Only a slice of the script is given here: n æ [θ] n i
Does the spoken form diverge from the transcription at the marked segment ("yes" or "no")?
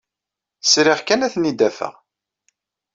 no